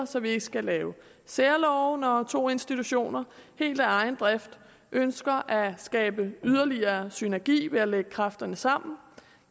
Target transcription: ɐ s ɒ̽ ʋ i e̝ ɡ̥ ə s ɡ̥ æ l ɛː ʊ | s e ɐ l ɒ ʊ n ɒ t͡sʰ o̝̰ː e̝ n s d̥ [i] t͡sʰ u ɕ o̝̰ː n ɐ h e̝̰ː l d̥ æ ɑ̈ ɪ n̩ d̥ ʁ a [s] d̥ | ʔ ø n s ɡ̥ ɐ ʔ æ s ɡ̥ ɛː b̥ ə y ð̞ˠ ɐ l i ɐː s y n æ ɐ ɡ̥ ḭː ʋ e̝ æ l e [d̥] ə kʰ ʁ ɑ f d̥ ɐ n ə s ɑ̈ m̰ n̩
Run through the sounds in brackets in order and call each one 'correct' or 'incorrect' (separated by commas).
correct, incorrect, incorrect